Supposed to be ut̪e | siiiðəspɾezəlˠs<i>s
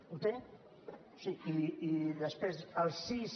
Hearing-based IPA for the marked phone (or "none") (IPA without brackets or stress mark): i